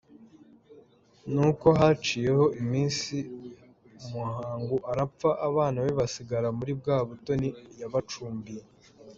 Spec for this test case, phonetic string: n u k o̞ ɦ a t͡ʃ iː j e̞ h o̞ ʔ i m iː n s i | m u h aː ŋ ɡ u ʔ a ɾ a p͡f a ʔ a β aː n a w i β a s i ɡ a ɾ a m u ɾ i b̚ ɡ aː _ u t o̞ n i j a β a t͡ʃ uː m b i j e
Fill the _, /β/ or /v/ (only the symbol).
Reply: β